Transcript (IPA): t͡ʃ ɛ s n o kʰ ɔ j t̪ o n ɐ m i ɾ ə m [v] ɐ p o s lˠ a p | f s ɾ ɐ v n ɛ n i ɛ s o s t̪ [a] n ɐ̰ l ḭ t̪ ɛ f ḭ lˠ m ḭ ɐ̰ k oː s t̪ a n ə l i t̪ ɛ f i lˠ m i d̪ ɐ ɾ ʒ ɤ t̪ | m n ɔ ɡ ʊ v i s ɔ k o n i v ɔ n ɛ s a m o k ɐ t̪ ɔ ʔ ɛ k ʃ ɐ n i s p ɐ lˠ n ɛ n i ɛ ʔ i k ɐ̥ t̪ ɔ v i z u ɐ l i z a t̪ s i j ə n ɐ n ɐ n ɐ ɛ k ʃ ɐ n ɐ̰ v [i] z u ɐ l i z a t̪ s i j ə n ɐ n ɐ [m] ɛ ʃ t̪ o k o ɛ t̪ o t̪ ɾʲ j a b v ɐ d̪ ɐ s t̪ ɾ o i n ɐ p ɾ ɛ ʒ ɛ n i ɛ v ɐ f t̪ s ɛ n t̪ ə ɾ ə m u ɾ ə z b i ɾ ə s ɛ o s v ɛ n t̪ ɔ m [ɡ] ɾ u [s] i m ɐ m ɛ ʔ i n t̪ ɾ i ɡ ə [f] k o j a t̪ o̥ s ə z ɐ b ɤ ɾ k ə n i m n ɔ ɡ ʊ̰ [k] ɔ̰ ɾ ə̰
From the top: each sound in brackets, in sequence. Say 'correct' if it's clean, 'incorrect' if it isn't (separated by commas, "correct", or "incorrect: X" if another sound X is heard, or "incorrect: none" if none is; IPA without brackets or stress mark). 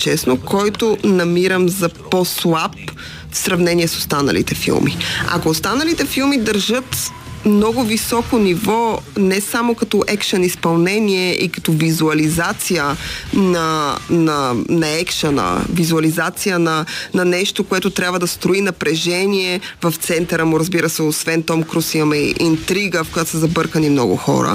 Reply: incorrect: z, correct, correct, incorrect: n, incorrect: k, correct, correct, incorrect: x